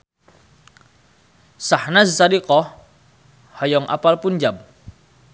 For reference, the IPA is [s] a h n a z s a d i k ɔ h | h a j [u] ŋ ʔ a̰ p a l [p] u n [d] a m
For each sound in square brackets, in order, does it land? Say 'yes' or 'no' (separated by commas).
yes, no, yes, no